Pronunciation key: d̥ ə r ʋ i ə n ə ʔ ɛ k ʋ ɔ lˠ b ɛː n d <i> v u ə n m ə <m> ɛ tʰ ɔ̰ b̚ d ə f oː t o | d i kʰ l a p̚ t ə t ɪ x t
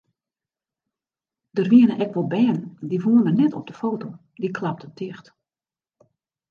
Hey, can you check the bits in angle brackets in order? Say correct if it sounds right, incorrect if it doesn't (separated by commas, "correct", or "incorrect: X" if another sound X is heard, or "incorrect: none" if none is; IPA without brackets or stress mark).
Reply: correct, incorrect: n